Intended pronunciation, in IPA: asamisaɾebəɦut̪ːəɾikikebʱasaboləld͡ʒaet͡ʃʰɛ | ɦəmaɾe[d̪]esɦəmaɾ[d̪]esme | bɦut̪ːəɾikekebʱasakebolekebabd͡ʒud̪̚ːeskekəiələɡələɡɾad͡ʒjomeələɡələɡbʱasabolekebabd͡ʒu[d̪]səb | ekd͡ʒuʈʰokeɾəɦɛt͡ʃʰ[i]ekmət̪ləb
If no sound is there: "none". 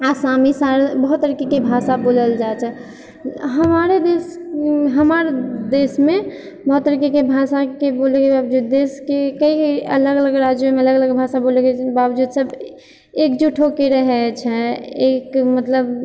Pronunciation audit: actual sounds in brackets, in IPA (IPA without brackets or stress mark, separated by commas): d̪, d̪, d̪, ɛ